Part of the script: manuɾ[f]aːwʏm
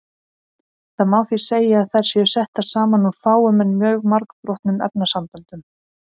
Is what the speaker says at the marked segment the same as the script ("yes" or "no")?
yes